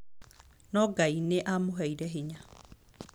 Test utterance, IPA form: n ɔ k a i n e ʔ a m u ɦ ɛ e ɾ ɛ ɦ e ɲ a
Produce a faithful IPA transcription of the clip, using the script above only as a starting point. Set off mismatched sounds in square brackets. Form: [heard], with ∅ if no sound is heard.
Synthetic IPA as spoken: n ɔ [ɡ] a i n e ʔ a m [o] ɦ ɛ [i] ɾ ɛ ɦ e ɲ a